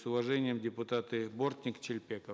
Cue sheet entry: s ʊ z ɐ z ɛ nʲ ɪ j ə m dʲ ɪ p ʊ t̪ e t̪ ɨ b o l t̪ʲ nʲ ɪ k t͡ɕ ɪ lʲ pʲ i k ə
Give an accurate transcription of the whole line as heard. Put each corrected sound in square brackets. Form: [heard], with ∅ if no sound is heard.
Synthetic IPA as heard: s ʊ [v] ɐ [ʐ] ɛ nʲ ɪ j ə m dʲ ɪ p ʊ t̪ [a] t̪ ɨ b o [r] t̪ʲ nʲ ɪ k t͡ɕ ɪ lʲ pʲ [e] k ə